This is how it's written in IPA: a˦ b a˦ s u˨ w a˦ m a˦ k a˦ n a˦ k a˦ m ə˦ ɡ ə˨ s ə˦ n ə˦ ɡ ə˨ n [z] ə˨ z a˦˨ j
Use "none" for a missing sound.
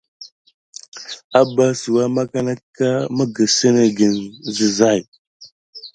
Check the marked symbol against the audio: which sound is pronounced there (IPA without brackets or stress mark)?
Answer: z